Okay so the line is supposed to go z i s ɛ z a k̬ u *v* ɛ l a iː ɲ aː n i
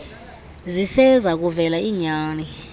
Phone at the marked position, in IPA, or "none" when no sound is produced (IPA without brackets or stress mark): v